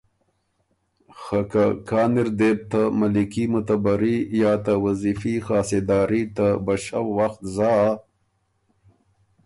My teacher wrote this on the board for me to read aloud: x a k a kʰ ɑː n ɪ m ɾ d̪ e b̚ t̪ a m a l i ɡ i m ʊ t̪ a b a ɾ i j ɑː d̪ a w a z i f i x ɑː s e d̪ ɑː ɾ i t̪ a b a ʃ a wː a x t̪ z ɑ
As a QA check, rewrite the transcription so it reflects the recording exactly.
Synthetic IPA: x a k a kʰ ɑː n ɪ ɾ d̪ e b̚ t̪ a m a l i k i m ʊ t̪ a b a ɾ i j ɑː t̪ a w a z i f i x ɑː s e d̪ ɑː ɾ i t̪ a b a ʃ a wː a x t̪ z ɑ